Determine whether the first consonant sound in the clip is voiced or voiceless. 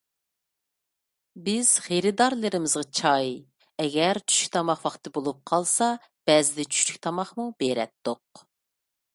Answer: voiced